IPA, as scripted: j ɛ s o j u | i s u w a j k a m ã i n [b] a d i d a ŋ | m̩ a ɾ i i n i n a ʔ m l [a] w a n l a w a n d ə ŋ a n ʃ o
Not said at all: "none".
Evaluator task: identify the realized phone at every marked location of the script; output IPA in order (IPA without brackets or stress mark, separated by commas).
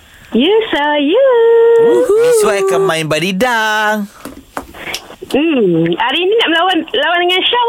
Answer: b, a